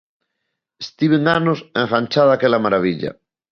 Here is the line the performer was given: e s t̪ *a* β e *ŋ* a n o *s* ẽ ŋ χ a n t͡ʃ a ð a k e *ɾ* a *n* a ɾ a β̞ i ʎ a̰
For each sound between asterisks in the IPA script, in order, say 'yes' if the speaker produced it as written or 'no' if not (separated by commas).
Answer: no, yes, yes, no, no